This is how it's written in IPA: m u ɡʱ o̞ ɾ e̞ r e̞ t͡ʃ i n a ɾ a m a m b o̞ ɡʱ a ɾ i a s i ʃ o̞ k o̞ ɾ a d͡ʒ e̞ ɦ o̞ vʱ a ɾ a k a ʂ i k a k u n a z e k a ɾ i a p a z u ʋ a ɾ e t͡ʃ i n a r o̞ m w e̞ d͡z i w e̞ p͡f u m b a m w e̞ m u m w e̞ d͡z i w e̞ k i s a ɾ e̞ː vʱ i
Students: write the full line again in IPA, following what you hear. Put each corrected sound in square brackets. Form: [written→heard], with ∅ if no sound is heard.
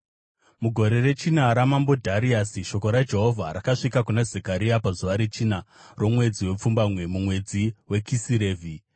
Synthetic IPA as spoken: m u ɡʱ o̞ ɾ e̞ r e̞ t͡ʃ i n a ɾ a m a m b o̞ [ɡʱ→dʱ] a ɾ i a s i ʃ o̞ k o̞ ɾ a d͡ʒ e̞ ɦ o̞ vʱ a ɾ a k a ʂ i k a k u n a z e k a ɾ i a p a z u ʋ a ɾ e t͡ʃ i n a r o̞ m w e̞ d͡z i w e̞ p͡f u m b a m w e̞ m u m w e̞ d͡z i w e̞ k i s [a→i] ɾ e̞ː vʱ i